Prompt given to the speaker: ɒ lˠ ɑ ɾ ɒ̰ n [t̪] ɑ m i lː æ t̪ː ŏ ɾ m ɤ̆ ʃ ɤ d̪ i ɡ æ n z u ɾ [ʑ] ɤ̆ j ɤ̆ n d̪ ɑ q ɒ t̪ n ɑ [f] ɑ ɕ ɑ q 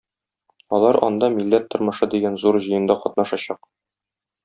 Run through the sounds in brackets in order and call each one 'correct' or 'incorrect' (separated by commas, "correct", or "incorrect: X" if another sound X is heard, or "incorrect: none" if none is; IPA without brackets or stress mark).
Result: incorrect: d̪, correct, incorrect: ʃ